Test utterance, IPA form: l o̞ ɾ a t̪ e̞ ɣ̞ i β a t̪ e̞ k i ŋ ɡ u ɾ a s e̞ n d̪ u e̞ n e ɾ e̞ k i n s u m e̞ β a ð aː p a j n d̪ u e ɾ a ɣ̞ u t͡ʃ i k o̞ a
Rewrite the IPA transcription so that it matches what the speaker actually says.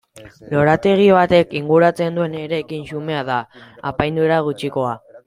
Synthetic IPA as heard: l o̞ ɾ a t̪ e̞ ɣ̞ i β a t̪ e̞ k i ŋ ɡ u ɾ a t͡s e̞ n d̪ u e̞ n e ɾ e̞ k i n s u m e̞ a ð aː p a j n d̪ u e ɾ a ɣ̞ u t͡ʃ i k o̞ a